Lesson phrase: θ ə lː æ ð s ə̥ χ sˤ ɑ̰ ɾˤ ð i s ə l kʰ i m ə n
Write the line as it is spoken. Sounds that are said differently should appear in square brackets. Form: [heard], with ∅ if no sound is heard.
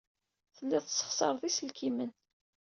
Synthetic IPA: θ ə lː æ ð s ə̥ χ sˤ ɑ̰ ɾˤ ð i s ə l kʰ i m ə n